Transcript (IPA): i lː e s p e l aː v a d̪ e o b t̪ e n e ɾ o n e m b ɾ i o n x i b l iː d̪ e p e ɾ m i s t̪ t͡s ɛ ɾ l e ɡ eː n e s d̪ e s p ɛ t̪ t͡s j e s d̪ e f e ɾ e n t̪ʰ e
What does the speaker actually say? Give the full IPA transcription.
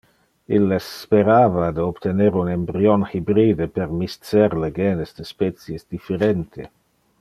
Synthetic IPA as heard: i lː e s p e ɾ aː v a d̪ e o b t̪ e n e ɾ u n e m b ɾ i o n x i b ɾ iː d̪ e p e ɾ m i s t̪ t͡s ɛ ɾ l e ɡ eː n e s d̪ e s p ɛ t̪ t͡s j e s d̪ i f e ɾ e n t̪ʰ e